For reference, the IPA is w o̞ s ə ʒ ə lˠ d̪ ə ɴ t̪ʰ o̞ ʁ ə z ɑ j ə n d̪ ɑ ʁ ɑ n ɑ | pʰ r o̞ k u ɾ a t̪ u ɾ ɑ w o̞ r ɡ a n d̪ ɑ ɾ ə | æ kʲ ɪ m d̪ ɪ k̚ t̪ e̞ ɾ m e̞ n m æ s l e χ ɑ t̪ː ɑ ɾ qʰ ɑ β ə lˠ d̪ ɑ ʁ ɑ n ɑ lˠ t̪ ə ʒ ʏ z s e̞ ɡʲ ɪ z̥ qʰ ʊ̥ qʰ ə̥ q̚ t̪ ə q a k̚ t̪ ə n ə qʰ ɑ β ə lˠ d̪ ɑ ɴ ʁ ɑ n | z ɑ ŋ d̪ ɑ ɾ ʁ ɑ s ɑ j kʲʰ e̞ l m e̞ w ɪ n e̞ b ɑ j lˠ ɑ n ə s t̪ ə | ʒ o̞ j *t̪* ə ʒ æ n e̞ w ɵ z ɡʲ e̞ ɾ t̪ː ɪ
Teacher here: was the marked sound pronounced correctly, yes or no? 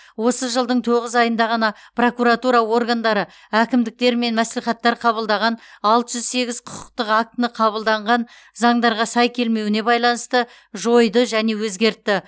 no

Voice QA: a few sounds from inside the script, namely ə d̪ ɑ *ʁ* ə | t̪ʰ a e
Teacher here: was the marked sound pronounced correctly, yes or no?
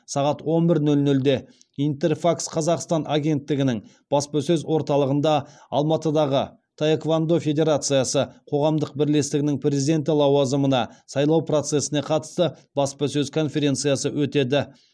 yes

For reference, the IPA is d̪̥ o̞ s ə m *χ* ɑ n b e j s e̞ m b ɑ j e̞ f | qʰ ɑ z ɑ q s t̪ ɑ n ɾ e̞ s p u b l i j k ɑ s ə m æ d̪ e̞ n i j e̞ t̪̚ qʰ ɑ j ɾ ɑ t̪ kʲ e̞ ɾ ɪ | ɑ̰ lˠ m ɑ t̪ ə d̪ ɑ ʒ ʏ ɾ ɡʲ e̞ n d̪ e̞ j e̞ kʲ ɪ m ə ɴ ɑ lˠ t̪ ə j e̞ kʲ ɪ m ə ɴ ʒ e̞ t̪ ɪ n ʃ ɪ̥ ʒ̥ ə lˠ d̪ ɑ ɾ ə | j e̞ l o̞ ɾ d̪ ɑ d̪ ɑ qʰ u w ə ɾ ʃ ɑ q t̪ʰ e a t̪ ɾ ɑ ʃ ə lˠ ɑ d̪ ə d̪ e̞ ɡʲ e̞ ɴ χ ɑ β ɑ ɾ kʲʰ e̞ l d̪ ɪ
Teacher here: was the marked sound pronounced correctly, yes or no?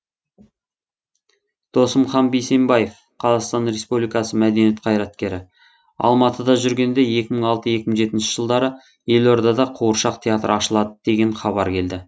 yes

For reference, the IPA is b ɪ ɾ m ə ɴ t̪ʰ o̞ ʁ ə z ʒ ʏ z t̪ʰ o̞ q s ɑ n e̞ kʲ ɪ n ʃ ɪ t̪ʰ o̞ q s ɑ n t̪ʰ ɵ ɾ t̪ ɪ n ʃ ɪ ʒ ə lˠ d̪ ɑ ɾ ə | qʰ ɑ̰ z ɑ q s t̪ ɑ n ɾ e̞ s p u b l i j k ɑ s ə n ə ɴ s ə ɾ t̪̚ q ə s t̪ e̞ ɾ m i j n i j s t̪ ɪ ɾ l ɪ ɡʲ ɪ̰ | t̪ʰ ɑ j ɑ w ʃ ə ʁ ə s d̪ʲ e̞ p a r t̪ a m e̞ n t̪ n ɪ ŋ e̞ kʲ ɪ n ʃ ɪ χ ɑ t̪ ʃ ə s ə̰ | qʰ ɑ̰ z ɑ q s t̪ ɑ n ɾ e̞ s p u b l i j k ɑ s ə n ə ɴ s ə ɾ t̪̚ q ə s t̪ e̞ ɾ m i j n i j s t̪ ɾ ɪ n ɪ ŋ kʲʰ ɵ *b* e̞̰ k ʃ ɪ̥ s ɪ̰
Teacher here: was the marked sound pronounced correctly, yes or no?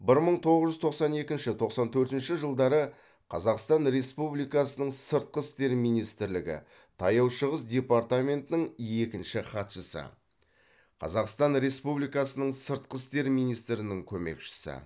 no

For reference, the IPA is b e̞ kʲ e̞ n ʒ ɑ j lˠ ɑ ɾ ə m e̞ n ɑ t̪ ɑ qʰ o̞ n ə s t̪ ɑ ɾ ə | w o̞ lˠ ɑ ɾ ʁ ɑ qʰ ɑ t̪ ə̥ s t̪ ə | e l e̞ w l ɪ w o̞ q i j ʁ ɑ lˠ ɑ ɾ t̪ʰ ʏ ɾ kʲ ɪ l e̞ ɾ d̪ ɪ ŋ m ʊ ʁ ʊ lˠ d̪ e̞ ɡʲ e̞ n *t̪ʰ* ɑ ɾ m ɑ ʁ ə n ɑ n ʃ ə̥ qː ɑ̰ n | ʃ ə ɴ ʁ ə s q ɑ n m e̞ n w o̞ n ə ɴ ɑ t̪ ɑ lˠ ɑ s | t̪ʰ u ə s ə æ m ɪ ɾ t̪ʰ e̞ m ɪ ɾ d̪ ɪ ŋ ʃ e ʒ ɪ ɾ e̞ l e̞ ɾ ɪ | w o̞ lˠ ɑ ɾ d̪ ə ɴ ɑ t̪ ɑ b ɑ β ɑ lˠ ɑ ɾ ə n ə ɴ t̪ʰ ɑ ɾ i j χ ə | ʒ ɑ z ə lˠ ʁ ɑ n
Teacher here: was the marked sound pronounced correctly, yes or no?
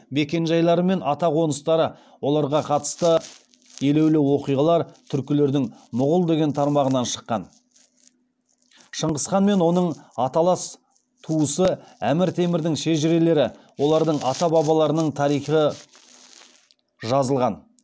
yes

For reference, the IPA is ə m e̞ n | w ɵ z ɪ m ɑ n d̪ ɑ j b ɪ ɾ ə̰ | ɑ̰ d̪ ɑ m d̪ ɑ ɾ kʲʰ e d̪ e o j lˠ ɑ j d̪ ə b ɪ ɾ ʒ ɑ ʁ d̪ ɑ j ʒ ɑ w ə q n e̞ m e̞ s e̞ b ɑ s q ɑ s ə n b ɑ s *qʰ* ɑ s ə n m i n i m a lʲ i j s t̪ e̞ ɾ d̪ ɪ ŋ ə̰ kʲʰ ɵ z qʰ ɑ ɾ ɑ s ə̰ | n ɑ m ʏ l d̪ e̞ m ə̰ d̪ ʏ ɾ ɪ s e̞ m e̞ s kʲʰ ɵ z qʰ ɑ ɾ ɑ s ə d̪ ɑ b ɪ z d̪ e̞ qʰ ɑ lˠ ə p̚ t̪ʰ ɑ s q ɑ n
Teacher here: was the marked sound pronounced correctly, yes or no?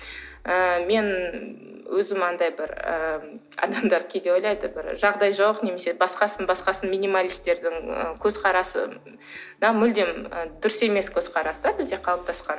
no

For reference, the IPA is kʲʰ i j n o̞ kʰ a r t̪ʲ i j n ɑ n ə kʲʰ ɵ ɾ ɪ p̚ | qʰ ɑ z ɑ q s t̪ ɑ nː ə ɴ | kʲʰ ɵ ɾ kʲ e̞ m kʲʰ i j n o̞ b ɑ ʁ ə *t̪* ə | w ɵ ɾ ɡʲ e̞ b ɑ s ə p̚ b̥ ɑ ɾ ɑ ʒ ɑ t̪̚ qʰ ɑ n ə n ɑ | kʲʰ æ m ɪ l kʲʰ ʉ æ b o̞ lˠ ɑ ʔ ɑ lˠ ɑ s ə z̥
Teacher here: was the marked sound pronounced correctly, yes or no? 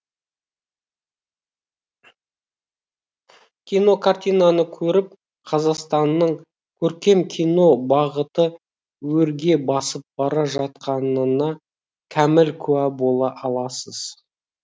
yes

